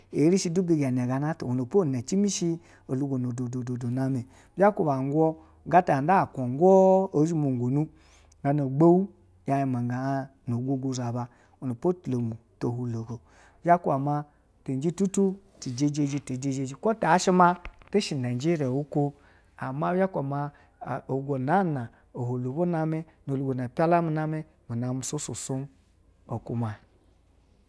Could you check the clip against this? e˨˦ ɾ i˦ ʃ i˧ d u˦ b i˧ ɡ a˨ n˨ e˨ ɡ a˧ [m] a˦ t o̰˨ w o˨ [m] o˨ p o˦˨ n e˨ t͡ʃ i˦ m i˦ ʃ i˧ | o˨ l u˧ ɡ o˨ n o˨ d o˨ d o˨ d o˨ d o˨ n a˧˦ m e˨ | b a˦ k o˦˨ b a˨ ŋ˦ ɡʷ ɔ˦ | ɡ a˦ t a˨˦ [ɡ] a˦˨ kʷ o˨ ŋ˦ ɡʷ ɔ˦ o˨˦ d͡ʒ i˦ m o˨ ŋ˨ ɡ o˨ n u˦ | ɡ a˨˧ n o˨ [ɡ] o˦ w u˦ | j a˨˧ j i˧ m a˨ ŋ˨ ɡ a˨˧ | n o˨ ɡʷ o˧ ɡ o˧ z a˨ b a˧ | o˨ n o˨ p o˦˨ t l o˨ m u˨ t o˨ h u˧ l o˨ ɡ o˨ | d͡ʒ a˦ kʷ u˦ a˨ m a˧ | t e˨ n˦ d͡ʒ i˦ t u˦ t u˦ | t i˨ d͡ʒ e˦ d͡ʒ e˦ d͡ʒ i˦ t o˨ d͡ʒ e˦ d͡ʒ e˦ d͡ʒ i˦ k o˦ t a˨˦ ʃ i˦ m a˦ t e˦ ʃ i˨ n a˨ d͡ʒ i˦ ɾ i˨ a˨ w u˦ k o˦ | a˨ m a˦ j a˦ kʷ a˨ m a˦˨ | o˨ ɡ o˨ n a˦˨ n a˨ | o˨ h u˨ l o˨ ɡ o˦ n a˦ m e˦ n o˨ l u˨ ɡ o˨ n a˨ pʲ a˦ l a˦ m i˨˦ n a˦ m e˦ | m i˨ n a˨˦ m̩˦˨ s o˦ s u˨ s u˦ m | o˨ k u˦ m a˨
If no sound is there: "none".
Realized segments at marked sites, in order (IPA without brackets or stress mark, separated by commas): n, n, d, ɡ͡b